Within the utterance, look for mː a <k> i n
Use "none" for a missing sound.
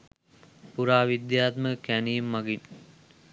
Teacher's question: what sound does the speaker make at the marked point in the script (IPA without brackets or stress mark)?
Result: ɡ